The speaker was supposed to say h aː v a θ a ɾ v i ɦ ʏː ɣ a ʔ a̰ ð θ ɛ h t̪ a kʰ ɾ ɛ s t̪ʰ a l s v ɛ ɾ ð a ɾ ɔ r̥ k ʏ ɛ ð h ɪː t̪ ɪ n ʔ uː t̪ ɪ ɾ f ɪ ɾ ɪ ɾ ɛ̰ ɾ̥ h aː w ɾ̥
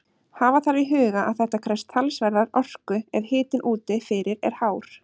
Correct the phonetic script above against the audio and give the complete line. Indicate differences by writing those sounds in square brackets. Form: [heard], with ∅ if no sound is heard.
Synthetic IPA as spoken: h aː v a θ a ɾ v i ɦ ʏː ɣ a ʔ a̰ ð θ ɛ h t̪ a kʰ ɾ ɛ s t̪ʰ a l s v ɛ ɾ ð a ɾ ɔ r̥ k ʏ ɛ ð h ɪː t̪ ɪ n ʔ uː t̪ ɪ [∅] f ɪ ɾ ɪ ɾ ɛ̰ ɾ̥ h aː w ɾ̥